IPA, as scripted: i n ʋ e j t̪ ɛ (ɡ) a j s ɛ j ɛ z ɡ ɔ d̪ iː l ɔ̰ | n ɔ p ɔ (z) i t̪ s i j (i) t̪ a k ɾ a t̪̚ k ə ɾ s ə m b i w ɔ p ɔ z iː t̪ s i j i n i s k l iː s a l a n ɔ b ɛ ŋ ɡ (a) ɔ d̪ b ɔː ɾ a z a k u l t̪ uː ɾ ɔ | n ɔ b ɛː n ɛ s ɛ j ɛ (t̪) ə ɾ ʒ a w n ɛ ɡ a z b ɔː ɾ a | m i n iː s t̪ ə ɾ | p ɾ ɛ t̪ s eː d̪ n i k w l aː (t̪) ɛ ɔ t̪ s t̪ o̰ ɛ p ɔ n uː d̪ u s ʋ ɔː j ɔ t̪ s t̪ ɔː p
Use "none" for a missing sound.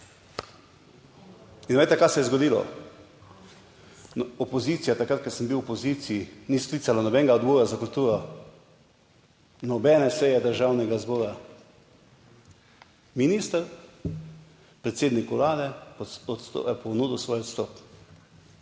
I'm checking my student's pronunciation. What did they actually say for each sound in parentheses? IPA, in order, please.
k, z, a, a, d̪, d̪

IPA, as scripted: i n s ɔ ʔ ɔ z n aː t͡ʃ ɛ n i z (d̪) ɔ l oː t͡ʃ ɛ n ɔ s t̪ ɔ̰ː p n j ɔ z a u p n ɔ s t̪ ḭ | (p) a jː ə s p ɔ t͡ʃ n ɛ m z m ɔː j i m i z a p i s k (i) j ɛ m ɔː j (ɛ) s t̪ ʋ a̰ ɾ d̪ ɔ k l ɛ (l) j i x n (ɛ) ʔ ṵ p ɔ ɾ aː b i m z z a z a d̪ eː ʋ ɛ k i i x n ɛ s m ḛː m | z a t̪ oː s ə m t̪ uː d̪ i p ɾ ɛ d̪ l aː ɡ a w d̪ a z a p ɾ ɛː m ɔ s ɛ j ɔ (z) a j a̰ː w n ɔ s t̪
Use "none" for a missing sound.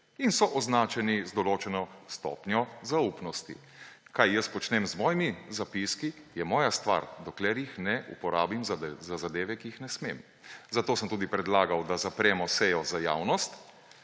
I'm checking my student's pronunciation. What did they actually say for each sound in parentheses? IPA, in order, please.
d̪, k, i, a, ɾ, ɛ, z

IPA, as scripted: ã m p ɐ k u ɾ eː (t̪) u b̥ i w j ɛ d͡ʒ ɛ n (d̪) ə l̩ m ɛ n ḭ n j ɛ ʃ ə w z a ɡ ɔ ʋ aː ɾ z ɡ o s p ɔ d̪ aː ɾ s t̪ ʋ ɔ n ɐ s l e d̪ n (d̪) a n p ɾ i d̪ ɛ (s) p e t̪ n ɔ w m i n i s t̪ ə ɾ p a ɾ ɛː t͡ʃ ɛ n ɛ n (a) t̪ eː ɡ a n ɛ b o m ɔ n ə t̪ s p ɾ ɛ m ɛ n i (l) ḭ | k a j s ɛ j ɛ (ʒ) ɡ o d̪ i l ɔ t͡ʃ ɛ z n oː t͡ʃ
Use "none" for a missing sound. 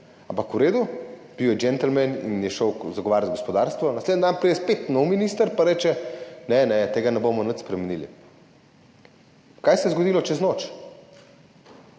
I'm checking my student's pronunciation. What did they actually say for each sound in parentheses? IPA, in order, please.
d̪, t̪, d̪, s, ɛ, l, z

